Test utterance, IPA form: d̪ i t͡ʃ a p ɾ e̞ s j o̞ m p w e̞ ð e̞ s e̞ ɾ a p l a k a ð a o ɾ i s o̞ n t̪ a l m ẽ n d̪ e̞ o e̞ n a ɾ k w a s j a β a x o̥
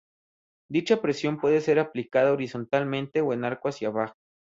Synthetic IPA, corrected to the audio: d̪ i t͡ʃ a p ɾ e̞ s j o̞ m p w e̞ ð e̞ s e̞ ɾ a p l i k a ð a o ɾ i s o̞ n t̪ a l m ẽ n t̪ e̞ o e̞ n a ɾ k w a s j a β a x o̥